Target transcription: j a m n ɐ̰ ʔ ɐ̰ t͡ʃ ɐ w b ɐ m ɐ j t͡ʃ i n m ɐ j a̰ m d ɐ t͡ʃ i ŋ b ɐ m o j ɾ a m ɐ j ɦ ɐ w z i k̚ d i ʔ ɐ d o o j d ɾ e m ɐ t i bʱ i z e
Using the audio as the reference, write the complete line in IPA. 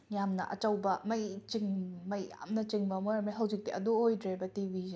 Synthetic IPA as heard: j a m n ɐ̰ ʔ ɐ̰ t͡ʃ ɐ w b ɐ m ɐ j t͡ʃ i ŋ m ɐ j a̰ m n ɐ t͡ʃ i ŋ b ɐ m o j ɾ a m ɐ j ɦ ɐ w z i k̚ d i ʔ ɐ d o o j d ɾ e b ɐ t i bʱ i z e